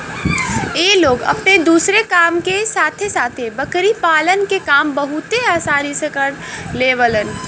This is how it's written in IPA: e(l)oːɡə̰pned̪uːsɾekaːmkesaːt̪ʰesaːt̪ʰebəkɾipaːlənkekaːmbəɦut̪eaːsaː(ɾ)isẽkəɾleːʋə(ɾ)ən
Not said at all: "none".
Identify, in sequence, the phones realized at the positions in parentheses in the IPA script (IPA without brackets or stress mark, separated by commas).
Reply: l, ɾ, l